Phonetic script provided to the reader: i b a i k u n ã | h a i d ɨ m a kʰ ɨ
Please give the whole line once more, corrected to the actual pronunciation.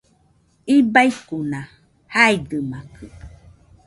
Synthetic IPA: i b a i k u n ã | h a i d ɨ m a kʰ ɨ